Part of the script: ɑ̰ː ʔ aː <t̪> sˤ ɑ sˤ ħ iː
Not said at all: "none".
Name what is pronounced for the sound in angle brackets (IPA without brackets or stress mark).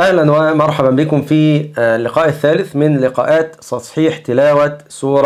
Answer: t̪